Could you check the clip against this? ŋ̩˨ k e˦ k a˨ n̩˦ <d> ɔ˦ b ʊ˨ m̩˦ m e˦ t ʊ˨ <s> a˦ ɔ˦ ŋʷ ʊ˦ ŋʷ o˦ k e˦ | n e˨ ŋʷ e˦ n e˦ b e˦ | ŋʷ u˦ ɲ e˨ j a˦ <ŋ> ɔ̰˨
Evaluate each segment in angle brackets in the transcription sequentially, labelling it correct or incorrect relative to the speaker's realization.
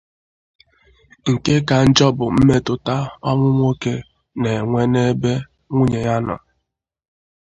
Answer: incorrect, incorrect, incorrect

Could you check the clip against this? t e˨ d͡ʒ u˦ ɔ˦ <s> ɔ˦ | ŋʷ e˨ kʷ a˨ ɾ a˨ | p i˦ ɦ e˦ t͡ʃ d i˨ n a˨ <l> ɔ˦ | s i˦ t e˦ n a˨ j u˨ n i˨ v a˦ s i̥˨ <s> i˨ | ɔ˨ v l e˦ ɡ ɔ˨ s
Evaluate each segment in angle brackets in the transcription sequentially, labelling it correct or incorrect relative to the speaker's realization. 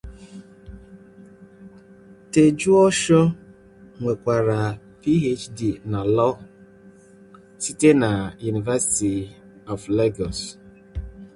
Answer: incorrect, correct, incorrect

